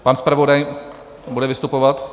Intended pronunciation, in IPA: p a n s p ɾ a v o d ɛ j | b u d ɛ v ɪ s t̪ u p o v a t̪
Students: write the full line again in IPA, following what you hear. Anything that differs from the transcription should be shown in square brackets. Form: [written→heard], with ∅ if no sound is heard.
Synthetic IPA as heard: p a n s p ɾ a v o d [ɛ→a] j | b u d ɛ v ɪ s t̪ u p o v a t̪